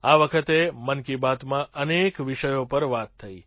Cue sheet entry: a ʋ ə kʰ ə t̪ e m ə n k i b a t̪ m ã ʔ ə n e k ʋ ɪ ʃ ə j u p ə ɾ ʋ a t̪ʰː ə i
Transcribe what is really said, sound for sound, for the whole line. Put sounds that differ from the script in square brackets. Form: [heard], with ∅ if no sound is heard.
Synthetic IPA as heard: a ʋ ə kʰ ə t̪ e m ə n k i b a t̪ m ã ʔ ə n e k ʋ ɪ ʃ ə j [o] p ə ɾ ʋ a t̪ʰː ə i